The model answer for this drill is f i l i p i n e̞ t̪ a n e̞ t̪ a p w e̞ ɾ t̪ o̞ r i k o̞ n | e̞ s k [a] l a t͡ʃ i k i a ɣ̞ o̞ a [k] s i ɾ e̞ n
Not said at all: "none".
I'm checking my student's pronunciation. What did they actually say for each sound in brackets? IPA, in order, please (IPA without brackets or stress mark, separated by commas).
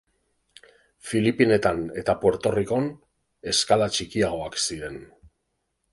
a, k